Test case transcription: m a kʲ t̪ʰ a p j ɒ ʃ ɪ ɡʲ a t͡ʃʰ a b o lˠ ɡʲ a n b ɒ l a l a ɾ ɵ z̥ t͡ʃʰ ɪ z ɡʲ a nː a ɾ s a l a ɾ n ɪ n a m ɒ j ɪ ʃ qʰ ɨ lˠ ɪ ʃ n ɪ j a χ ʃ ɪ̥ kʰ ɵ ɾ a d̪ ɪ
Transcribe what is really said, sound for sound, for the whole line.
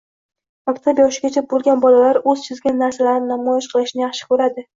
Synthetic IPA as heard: m a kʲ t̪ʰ a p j ɒ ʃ ɪ ɡʲ a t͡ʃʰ a b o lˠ ɡʲ a n b ɒ l a l a ɾ ɵ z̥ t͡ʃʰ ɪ z ɡʲ a nː a ɾ s a l a ɾ n ɪ n a m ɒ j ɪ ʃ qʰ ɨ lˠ ɪ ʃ n ɪ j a χ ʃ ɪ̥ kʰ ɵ ɾ a d̪ ɪ